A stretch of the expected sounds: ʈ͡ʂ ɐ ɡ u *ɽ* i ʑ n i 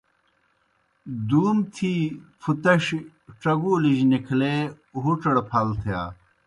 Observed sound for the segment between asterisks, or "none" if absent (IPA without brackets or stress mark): l